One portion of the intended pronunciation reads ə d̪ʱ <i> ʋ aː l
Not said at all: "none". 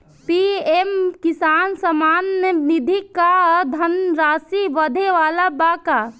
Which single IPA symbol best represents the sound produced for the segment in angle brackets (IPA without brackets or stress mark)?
e